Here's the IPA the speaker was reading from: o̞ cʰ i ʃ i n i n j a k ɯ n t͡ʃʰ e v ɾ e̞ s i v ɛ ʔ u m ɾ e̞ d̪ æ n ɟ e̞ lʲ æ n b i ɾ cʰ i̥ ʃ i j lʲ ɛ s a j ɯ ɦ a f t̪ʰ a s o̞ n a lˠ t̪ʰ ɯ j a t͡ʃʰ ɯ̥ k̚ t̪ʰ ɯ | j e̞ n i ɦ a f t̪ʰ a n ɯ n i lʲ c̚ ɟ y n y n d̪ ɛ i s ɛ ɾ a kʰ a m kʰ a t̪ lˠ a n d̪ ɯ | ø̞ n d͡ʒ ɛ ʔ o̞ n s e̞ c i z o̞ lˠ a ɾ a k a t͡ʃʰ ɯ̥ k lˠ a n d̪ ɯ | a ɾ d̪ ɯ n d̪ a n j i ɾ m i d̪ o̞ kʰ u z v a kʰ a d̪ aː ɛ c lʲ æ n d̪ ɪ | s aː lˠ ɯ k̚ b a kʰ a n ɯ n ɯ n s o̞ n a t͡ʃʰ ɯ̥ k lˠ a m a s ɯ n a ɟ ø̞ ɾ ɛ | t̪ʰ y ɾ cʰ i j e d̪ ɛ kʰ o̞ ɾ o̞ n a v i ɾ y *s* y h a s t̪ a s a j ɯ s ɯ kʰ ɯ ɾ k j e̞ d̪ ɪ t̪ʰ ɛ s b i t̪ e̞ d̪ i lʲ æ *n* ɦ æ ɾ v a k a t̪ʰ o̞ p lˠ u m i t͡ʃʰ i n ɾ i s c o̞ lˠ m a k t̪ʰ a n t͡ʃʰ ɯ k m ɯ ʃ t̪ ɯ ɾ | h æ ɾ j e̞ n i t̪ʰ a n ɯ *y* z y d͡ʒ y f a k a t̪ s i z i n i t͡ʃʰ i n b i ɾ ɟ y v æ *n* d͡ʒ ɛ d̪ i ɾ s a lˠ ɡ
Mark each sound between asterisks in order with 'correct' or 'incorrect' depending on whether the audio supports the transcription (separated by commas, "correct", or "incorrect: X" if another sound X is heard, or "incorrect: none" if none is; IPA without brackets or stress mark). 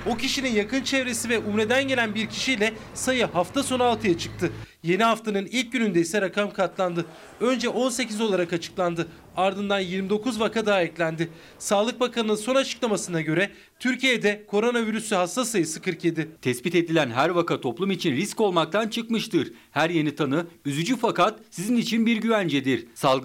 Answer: correct, correct, correct, correct